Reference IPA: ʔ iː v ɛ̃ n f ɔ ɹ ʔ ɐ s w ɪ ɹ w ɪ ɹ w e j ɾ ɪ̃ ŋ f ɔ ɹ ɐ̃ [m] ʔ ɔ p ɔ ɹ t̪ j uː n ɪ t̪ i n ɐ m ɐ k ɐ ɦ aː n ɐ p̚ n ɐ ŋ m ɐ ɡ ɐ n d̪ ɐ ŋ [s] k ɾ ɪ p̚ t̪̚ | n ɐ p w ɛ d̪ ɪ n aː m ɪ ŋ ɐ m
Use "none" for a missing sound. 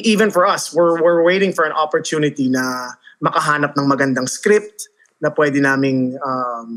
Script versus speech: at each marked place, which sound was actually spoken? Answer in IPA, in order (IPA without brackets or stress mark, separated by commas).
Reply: n, s